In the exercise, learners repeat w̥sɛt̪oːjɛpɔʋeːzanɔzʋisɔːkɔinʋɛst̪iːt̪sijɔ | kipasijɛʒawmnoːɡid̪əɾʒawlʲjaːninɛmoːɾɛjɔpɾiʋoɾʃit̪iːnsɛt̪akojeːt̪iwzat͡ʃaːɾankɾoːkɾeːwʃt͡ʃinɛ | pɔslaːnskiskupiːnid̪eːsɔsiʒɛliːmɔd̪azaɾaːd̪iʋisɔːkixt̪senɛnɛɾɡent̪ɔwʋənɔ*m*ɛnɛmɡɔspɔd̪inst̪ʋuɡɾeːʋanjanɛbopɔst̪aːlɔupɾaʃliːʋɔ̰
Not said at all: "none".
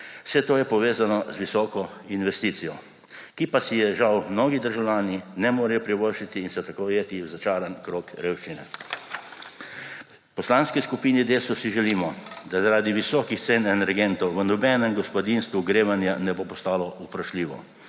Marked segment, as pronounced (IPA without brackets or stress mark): b